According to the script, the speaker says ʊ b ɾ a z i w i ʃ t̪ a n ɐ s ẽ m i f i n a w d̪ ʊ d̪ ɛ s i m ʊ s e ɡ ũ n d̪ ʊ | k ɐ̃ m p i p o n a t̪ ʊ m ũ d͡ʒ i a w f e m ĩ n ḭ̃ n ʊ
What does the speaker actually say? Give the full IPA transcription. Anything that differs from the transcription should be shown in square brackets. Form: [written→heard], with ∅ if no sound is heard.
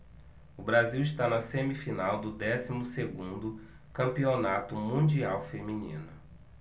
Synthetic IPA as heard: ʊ b ɾ a z i w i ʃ t̪ a n ɐ s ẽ m i f i n a w d̪ ʊ d̪ ɛ s i m ʊ s e ɡ ũ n d̪ ʊ | k ɐ̃ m p i [p→∅] o n a t̪ ʊ m ũ d͡ʒ i a w f e m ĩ n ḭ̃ n ʊ

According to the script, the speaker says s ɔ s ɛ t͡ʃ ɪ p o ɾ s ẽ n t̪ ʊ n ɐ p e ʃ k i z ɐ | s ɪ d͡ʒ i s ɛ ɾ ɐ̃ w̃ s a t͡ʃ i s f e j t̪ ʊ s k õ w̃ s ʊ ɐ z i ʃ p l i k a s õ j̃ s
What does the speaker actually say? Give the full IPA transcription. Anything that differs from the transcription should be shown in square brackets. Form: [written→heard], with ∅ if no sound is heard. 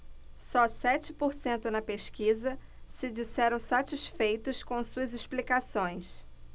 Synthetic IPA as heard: s ɔ s ɛ t͡ʃ ɪ p o ɾ s ẽ n t̪ ʊ n ɐ p e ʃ k i z ɐ | s ɪ d͡ʒ i s ɛ ɾ ɐ̃ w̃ s a t͡ʃ i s f e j t̪ ʊ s k õ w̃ s [ʊ→u] ɐ z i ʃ p l i k a s õ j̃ s

